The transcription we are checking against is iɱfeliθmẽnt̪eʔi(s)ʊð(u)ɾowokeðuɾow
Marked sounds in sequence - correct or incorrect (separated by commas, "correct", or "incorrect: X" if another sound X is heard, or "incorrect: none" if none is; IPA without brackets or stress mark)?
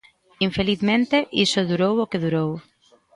correct, correct